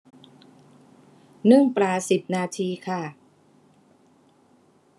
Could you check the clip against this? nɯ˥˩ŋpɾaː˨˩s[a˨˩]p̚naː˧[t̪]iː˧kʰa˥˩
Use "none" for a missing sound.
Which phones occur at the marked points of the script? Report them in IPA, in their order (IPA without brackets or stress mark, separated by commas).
i˨˩, t̪ʰ